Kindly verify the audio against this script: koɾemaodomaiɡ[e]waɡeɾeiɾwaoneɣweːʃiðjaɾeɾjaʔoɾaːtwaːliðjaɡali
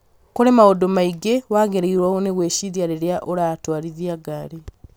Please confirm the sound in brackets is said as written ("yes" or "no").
yes